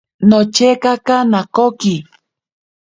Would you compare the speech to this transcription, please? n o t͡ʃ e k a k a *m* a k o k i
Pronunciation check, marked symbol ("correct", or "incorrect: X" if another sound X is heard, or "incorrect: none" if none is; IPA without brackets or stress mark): incorrect: n